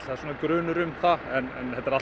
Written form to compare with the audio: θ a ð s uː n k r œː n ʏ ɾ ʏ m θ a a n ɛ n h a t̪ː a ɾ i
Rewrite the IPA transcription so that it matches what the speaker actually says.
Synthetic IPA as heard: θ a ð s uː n k ɾ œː n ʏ ɾ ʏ m θ a ɛ n ɛ n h ɛ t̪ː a ɾ a